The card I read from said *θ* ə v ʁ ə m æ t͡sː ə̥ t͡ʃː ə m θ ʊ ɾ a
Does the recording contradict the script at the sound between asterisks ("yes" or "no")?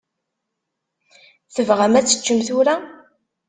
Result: no